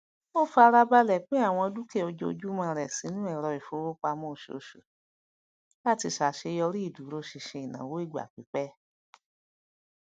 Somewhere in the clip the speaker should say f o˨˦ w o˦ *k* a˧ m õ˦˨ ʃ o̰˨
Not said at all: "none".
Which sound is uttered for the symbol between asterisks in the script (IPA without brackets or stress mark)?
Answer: k͡p